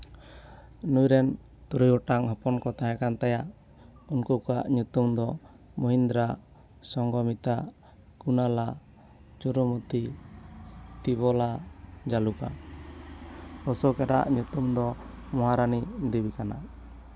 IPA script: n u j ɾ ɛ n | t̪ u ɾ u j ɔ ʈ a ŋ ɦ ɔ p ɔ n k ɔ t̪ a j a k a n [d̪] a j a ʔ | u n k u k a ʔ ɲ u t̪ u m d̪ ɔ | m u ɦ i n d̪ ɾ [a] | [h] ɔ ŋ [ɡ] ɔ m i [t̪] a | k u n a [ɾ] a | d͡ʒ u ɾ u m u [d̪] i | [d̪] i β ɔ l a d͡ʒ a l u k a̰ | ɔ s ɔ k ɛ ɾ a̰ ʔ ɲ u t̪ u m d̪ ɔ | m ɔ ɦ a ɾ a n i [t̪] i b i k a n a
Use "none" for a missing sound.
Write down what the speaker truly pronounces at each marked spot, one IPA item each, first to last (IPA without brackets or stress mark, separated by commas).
t̪, a, s, ɡ, t̪, l, t̪, t̪, d̪